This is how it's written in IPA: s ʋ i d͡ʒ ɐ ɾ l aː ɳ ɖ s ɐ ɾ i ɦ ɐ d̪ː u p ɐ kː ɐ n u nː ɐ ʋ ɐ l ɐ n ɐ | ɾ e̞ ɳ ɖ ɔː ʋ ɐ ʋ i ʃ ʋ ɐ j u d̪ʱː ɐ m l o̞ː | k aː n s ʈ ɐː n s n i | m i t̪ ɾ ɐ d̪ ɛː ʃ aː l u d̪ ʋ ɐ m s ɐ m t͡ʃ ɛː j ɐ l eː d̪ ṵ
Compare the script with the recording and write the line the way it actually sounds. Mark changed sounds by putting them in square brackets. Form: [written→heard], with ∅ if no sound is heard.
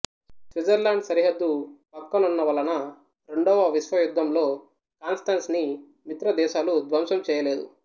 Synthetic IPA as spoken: s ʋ i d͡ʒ ɐ ɾ l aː ɳ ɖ s ɐ ɾ i ɦ ɐ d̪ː u p ɐ kː ɐ n u nː ɐ ʋ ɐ l ɐ n ɐ | ɾ e̞ ɳ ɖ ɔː ʋ ɐ ʋ i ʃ ʋ ɐ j u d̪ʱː ɐ m l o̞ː | k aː n s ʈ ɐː n s n i | m i t̪ ɾ ɐ d̪ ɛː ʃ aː l u d̪ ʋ ɐ m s ɐ m t͡ʃ ɛː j ɐ l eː d̪ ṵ